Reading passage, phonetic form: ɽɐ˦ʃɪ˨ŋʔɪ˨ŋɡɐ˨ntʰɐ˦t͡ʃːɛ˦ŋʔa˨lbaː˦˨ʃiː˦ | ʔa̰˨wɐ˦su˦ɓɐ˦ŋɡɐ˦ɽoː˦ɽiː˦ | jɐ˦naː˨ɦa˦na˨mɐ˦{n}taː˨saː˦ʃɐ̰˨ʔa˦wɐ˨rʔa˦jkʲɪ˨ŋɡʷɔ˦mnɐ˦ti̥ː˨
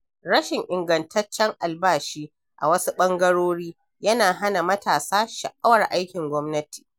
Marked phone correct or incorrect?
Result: incorrect